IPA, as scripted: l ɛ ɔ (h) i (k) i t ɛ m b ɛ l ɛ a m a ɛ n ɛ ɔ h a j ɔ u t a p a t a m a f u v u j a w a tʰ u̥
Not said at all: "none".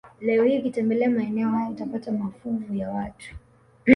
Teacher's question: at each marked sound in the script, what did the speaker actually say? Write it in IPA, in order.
h, k

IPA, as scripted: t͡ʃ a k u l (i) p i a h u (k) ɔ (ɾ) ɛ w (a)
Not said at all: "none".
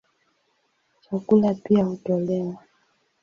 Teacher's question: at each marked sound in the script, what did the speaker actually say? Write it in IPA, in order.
a, t, l, a

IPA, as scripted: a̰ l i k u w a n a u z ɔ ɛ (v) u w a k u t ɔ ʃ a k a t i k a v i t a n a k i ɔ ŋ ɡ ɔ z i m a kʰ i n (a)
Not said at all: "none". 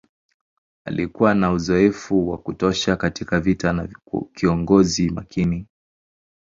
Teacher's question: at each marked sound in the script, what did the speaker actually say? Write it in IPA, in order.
f, i

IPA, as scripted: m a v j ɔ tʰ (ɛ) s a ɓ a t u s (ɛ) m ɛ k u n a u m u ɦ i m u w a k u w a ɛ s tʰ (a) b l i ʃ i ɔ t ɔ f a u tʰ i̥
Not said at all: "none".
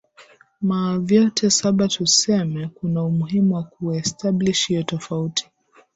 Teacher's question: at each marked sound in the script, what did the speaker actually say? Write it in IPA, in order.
ɛ, ɛ, a

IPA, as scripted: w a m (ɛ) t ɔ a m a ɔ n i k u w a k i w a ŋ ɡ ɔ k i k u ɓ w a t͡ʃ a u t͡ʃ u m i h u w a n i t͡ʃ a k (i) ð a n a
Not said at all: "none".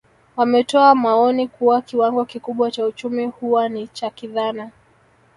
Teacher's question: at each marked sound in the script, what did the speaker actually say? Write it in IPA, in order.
ɛ, i

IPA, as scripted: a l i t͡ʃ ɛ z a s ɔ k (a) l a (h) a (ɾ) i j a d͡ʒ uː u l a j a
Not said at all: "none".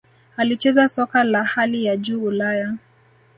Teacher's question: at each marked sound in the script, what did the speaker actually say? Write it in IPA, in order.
a, h, l

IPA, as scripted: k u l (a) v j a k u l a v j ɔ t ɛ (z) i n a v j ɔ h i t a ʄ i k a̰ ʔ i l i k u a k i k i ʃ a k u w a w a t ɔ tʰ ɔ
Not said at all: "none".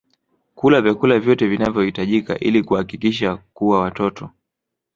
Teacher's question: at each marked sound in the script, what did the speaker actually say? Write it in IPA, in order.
a, v

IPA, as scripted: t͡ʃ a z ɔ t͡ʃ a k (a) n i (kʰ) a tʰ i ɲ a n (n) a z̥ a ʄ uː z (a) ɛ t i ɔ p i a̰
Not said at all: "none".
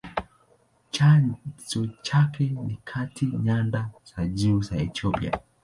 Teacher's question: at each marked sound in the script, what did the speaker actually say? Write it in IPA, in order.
ɛ, kʰ, d, a

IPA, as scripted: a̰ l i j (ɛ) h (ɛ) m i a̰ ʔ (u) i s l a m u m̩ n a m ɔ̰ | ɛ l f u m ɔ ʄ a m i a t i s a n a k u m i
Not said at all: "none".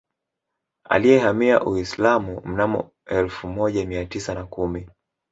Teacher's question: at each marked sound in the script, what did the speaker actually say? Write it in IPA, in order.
ɛ, a, u

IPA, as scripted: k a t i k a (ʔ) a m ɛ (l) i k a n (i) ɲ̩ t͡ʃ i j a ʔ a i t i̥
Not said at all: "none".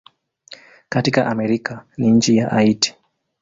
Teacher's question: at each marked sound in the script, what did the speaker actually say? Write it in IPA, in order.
ʔ, ɾ, i

